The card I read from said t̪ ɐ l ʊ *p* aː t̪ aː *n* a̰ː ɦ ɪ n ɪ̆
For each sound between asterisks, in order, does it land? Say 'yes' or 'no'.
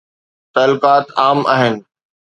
no, no

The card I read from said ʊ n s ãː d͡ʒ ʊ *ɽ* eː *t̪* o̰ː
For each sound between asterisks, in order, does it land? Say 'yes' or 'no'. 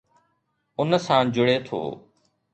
yes, no

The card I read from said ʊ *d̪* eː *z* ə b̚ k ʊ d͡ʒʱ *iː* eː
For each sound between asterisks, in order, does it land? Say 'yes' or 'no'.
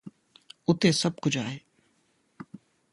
no, no, no

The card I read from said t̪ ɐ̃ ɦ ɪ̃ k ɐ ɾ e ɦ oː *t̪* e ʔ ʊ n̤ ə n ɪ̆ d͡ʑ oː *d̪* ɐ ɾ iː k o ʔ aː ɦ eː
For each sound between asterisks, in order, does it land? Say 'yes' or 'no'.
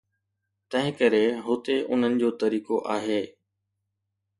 yes, no

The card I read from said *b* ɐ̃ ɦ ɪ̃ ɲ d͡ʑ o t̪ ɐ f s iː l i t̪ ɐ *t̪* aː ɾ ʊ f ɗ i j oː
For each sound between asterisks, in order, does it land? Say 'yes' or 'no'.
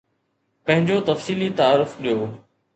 no, no

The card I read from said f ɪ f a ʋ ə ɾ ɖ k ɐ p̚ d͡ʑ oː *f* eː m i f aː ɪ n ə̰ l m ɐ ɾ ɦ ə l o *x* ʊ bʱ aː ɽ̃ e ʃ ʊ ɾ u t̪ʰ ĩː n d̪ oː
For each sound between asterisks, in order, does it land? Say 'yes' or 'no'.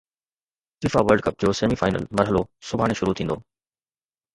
no, no

